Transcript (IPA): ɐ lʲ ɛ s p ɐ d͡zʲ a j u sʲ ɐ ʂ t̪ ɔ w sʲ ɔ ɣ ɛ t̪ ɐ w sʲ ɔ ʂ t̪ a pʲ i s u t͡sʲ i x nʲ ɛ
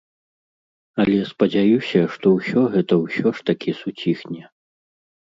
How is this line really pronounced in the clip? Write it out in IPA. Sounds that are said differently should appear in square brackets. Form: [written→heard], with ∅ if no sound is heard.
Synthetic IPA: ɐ lʲ ɛ s p ɐ d͡zʲ a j u sʲ ɐ ʂ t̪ ɔ w sʲ ɔ ɣ ɛ t̪ ɐ w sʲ ɔ ʂ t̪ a [pʲ→kʲ] i s u t͡sʲ i x nʲ ɛ